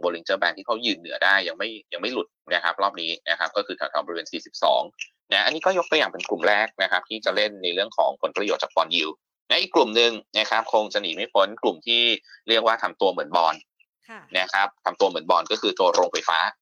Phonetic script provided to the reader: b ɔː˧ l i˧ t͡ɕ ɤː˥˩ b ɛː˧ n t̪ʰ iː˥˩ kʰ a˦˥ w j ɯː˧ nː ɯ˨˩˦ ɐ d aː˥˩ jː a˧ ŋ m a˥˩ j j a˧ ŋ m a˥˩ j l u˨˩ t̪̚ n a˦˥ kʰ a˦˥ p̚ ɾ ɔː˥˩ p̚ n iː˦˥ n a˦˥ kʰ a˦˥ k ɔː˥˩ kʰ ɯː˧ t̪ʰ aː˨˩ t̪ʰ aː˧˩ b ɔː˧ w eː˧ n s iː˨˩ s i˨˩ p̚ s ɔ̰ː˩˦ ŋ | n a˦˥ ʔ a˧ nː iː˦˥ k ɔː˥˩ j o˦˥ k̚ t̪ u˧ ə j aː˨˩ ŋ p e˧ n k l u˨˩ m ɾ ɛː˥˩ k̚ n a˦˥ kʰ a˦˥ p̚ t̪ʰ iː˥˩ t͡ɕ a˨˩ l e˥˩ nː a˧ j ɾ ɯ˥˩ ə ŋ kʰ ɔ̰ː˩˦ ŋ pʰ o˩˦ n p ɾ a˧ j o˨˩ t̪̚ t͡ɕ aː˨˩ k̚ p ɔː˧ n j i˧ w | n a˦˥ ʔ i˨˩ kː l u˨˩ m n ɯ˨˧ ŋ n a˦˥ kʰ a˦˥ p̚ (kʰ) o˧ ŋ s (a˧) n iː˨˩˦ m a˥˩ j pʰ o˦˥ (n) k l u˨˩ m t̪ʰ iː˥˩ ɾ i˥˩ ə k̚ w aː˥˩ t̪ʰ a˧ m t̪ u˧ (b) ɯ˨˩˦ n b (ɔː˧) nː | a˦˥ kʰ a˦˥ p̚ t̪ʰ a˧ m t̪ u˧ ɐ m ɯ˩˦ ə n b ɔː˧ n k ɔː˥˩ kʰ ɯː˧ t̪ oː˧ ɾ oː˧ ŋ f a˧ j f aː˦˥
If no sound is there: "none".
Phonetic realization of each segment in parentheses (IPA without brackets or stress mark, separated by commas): kʰ, a˧, n, m, ɔː˧